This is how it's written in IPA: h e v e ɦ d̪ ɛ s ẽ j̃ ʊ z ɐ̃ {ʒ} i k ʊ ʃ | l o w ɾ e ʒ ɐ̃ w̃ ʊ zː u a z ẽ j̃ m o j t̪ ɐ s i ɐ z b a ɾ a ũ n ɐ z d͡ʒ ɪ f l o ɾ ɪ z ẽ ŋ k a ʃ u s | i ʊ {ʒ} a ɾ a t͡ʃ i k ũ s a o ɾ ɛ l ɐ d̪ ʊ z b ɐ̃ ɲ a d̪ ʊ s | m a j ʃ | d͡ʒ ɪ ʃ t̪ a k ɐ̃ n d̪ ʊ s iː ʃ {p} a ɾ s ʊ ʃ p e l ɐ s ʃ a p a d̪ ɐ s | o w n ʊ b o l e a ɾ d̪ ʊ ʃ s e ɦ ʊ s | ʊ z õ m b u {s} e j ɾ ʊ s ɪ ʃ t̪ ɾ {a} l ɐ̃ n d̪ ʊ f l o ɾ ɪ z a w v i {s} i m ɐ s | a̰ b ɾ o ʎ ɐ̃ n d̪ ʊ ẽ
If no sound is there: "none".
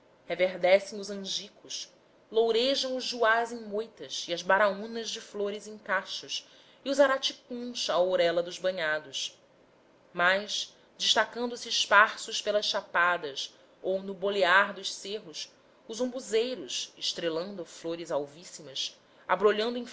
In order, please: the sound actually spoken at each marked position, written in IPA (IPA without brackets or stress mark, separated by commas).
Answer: ʒ, z, p, z, e, s